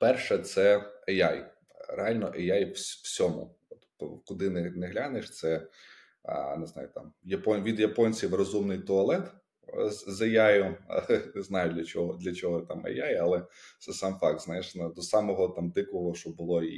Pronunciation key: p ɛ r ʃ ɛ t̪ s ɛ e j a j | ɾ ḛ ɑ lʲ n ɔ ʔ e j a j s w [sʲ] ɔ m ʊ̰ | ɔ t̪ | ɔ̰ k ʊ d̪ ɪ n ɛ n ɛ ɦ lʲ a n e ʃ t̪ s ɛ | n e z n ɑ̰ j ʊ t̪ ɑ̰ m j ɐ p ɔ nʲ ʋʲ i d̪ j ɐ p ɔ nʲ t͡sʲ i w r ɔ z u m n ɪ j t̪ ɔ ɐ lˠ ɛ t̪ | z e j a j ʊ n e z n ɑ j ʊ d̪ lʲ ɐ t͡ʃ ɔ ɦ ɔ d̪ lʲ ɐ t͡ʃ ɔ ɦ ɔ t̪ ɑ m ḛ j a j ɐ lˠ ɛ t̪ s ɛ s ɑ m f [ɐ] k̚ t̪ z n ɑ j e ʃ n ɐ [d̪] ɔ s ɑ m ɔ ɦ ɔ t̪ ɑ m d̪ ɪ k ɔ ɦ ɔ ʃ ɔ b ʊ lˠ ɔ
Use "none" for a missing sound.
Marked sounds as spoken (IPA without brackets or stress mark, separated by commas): sʲ, ɑ, d̪